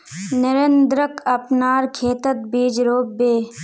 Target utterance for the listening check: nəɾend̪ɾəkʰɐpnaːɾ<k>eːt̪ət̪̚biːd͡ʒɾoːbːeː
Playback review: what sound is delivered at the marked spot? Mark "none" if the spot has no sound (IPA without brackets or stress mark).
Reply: kʰ